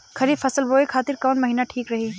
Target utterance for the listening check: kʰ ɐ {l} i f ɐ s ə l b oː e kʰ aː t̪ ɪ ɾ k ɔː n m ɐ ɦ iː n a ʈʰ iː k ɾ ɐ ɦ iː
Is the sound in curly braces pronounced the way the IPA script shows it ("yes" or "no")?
no